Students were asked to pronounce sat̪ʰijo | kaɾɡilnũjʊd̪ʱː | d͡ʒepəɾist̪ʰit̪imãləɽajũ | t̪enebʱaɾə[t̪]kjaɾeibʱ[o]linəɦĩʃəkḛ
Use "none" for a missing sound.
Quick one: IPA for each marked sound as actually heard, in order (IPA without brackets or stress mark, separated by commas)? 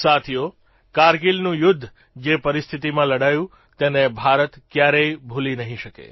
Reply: t̪, u